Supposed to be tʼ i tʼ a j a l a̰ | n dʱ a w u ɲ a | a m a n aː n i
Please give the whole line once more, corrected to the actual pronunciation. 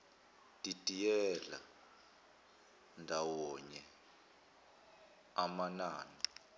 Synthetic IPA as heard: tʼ i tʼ i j ɛ l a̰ | n dʱ a w ɔ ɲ ɛ | a m a n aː n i